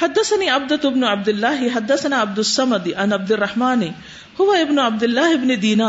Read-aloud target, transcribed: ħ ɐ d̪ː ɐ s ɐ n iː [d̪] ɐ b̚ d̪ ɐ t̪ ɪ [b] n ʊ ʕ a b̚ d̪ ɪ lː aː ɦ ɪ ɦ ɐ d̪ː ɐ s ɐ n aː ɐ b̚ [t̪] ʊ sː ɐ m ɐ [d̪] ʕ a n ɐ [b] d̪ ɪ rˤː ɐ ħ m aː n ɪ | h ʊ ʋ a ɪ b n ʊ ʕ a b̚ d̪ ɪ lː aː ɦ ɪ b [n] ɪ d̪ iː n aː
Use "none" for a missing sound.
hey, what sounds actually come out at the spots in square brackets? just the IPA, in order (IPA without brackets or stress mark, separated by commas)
none, b, d̪, d̪, b, n